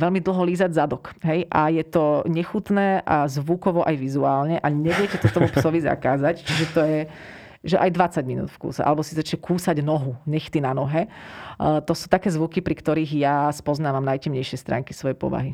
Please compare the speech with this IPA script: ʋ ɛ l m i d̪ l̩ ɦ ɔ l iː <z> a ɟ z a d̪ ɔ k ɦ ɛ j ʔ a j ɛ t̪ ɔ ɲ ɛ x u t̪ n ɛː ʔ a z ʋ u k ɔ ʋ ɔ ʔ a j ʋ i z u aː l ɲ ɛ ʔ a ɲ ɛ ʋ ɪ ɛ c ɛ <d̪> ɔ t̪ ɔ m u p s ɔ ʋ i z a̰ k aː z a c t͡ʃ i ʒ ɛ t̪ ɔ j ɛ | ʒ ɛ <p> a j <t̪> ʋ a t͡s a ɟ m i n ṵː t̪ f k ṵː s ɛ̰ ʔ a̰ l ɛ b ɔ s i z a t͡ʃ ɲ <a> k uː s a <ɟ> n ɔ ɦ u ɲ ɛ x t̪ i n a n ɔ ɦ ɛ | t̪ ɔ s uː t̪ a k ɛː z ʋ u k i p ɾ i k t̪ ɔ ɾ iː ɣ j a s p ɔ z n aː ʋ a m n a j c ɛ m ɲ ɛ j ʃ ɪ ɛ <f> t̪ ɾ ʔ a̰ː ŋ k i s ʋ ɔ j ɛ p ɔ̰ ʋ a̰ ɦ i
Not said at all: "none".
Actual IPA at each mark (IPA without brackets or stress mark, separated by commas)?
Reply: z, t̪, ʔ, d̪, ɛ, ɟ, s